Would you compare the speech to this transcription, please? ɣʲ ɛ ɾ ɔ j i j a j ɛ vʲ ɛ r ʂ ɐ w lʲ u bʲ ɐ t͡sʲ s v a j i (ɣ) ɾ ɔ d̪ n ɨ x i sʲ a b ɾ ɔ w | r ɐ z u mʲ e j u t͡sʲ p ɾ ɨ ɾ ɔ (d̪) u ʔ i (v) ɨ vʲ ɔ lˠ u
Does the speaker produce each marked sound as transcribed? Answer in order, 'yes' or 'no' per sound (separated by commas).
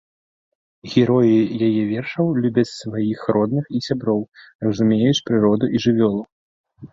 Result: no, yes, no